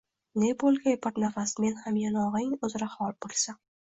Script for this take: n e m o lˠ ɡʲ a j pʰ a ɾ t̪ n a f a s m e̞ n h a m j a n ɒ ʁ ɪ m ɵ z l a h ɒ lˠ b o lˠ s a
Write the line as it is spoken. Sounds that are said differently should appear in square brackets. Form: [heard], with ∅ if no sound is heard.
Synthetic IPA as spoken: n e [b] o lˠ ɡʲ a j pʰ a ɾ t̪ n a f a s m e̞ n h a m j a n ɒ ʁ ɪ [ŋ] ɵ z [ɾ] a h ɒ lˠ b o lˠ s a